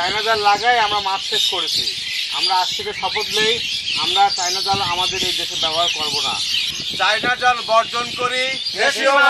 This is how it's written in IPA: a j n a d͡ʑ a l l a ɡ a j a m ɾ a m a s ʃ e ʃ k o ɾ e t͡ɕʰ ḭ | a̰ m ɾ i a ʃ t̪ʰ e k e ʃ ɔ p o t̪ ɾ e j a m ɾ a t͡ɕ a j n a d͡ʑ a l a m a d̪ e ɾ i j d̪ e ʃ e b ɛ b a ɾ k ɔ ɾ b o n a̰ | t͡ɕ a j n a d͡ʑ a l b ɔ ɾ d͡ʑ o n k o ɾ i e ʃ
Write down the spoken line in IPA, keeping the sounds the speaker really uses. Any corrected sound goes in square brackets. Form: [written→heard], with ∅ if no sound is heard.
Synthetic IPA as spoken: a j n a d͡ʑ a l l a ɡ a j a m ɾ a m a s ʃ e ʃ k o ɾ e t͡ɕʰ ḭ | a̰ m ɾ [i→a] a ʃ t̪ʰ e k e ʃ ɔ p o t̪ [ɾ→l] e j a m ɾ a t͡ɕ a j n a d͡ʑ a l a m a d̪ e ɾ [i→e] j d̪ e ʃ e b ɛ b a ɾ k ɔ ɾ b o n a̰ | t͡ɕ a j n a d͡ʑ a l b ɔ ɾ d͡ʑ o n k o ɾ i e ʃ

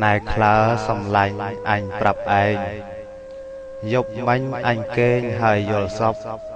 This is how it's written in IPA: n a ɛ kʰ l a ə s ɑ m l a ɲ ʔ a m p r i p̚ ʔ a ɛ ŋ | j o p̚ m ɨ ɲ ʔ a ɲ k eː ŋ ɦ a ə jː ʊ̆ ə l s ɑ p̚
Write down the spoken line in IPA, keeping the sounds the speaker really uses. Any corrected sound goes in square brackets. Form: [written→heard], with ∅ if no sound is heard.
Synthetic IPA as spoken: n a ɛ kʰ l a ə s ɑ m l a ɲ ʔ a [m→ɲ] p r [i→a] p̚ ʔ a ɛ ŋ | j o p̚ m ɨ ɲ ʔ a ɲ k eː [ŋ→ɲ] ɦ a ə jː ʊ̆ ə l s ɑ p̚

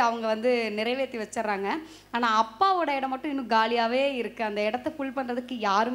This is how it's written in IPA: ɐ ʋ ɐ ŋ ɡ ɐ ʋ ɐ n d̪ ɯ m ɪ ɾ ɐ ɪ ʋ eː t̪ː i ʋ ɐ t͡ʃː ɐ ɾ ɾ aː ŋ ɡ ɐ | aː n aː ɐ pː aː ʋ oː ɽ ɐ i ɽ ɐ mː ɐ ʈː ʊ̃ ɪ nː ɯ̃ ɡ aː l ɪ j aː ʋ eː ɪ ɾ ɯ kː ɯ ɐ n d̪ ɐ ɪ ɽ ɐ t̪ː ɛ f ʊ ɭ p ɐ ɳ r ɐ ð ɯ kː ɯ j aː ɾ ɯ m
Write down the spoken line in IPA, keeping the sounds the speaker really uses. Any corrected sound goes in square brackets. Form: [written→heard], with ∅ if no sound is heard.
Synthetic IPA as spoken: ɐ ʋ ɐ ŋ ɡ ɐ ʋ ɐ n d̪ ɯ [m→n] ɪ ɾ ɐ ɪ ʋ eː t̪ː i ʋ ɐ t͡ʃː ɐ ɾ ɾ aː ŋ ɡ ɐ | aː n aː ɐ pː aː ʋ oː ɽ ɐ [i→ɪ] ɽ ɐ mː ɐ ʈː ʊ̃ ɪ nː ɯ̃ ɡ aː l ɪ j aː ʋ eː ɪ ɾ ɯ kː ɯ ɐ n d̪ ɐ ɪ ɽ ɐ t̪ː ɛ f ʊ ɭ p ɐ ɳ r ɐ ð ɯ kː ɯ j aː ɾ ɯ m

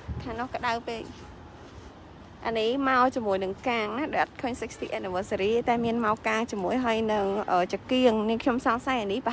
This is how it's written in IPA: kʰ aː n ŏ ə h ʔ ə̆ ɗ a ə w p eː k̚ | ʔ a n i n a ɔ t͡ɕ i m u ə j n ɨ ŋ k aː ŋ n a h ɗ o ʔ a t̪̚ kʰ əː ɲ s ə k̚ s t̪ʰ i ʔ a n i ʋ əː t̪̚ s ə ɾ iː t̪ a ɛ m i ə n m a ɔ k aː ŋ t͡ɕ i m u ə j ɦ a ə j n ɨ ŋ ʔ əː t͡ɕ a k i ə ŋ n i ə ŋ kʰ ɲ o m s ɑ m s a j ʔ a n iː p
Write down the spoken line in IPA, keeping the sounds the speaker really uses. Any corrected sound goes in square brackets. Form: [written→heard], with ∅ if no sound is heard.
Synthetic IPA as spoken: kʰ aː n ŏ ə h [ʔ→k] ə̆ ɗ a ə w p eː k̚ | ʔ a n i [n→m] a ɔ t͡ɕ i m u ə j n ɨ ŋ k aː ŋ n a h ɗ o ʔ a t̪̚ kʰ əː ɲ s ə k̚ s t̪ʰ i ʔ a n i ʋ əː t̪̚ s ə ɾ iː t̪ a ɛ m i ə n m a ɔ k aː ŋ t͡ɕ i m u ə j ɦ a ə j n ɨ ŋ ʔ əː t͡ɕ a k i ə ŋ n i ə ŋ kʰ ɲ o m s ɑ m s a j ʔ a n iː p

